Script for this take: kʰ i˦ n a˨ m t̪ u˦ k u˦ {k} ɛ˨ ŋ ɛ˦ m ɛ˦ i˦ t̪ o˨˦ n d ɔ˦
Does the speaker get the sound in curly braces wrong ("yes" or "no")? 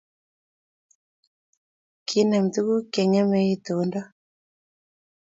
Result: no